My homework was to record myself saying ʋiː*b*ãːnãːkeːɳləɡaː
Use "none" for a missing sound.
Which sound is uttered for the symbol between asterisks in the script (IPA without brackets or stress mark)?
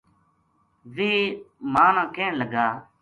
m